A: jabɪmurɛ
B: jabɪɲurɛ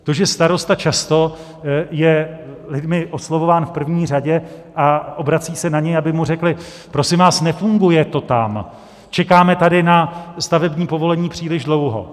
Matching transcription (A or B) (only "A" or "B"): A